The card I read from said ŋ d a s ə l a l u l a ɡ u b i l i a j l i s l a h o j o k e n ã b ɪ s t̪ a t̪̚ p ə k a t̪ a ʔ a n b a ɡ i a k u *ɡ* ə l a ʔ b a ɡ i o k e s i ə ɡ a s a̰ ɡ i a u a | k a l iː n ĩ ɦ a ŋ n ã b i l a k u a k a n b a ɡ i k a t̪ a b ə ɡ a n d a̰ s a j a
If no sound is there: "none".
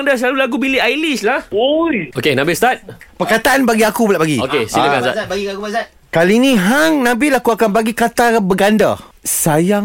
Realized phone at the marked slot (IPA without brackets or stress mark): b